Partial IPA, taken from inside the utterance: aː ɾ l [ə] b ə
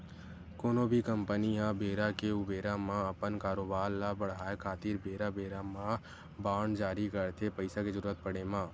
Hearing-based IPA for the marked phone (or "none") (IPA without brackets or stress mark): a